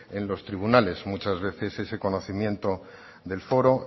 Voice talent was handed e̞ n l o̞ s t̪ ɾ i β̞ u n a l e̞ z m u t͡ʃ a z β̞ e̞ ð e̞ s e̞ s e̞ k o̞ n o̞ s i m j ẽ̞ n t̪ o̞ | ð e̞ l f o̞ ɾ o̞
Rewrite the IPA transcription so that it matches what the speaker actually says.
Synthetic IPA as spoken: e̞ n l o̞ s t̪ ɾ i β̞ u n a l e̞ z m u t͡ʃ a z β̞ e̞ θ e̞ s e̞ s e̞ k o̞ n o̞ θ i m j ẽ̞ n t̪ o̞ | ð e̞ l f o̞ ɾ o̞